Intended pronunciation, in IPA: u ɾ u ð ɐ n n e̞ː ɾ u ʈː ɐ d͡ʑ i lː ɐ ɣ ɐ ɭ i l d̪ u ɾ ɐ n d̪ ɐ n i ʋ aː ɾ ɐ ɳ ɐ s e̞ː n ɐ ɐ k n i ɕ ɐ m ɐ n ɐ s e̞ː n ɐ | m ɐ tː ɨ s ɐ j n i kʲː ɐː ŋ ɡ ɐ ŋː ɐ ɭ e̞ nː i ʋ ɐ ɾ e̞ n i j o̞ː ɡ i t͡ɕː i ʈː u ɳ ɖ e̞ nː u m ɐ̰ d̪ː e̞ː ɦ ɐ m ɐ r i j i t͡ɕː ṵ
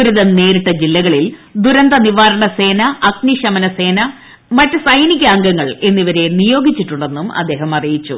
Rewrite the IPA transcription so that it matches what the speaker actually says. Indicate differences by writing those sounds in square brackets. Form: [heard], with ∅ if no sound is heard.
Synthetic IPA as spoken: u ɾ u ð ɐ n n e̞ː ɾ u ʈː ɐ d͡ʑ i lː ɐ ɣ ɐ ɭ i l d̪ u ɾ ɐ n d̪ ɐ n i ʋ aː ɾ ɐ ɳ ɐ s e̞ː n ɐ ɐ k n i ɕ ɐ m ɐ n ɐ s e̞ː n ɐ | m ɐ tː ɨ s ɐ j n i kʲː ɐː ŋ ɡ ɐ ŋː ɐ ɭ e̞ nː i ʋ ɐ ɾ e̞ n i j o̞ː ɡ i t͡ɕː i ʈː u ɳ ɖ e̞ nː u m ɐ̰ d̪ː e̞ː ɦ ɐ m ɐ r i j i t͡ɕː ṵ